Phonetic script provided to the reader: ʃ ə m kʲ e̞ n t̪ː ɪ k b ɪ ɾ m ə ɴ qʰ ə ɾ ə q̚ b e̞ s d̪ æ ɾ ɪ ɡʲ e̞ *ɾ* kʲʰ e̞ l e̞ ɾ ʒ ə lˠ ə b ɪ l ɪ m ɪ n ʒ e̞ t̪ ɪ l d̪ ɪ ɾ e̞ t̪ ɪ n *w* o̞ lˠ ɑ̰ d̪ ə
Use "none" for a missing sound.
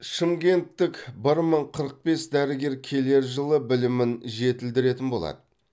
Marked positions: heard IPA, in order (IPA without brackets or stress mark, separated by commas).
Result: ɾ, b